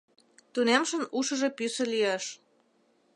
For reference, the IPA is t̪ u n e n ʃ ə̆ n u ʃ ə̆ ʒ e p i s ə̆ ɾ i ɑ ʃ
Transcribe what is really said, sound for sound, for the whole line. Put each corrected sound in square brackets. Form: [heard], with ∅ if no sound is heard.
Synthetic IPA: t̪ u n e [m] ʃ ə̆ n u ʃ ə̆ ʒ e p [y] s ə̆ [l] i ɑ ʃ